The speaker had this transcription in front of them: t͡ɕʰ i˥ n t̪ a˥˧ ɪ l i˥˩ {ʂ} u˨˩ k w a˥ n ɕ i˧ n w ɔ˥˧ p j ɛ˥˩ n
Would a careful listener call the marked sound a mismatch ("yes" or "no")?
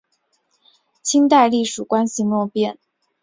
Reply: no